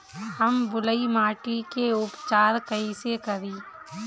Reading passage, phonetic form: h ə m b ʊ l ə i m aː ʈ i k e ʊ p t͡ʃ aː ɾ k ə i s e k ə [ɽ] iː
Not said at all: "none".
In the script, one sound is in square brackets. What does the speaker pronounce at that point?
ɾ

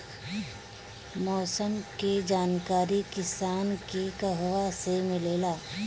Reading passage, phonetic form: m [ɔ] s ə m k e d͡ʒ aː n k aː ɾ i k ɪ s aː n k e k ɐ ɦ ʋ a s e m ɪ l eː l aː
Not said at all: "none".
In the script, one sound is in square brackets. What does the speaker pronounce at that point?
ɔː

